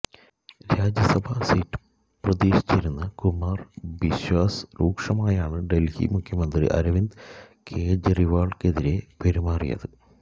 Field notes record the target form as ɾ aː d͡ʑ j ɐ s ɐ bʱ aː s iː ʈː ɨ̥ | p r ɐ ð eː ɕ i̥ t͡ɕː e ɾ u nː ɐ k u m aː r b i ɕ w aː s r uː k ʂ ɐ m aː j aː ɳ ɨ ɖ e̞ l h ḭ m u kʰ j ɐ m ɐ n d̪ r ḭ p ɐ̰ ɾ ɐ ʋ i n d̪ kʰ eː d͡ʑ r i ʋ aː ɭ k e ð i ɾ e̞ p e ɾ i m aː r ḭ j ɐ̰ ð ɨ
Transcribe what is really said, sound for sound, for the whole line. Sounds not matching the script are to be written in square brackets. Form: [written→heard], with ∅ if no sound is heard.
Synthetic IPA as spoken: ɾ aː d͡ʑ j ɐ s ɐ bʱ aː s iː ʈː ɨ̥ | p r ɐ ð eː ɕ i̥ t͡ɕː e ɾ u nː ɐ k u m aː r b i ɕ w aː s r uː k ʂ ɐ m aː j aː ɳ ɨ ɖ e̞ l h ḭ m u kʰ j ɐ m ɐ n d̪ r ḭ [p→ʔ] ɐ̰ ɾ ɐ ʋ i n d̪ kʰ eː d͡ʑ r i ʋ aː ɭ k e ð i ɾ e̞ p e ɾ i m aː r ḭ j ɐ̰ ð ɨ